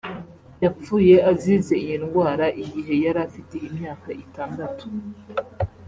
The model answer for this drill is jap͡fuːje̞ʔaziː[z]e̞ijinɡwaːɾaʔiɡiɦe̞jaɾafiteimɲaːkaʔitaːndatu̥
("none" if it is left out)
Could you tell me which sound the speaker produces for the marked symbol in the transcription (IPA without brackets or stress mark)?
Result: z